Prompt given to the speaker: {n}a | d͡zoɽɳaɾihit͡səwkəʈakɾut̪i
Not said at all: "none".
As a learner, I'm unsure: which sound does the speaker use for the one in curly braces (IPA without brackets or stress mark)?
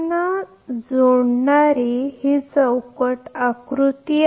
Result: n